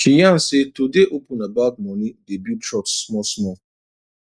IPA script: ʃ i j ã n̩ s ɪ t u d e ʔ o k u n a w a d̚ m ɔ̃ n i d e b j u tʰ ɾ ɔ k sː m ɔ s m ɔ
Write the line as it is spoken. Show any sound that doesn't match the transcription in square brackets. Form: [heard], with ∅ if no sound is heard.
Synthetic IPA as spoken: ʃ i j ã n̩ s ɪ t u d e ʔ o [p] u n a [b] a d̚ m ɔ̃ n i d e b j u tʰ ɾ ɔ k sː m ɔ s m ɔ